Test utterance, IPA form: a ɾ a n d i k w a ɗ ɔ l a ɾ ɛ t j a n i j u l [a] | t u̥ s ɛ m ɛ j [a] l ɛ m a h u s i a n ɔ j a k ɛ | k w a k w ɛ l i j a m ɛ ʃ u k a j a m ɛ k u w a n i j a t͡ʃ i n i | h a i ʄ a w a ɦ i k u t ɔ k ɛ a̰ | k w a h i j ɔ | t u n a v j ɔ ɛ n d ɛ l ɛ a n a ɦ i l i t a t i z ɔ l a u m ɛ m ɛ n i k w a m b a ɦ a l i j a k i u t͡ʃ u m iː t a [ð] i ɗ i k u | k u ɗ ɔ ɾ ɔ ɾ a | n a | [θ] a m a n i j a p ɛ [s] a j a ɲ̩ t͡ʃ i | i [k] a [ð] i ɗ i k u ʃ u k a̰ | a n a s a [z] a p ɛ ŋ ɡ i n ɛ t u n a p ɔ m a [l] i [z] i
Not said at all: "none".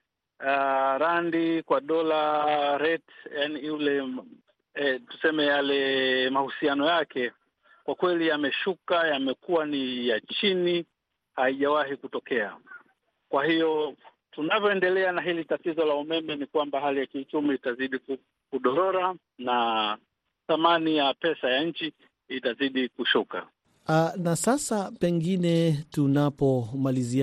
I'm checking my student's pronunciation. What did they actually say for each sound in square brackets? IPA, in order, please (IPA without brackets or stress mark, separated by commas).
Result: ɛ, a, z, θ, s, t, z, s, l, z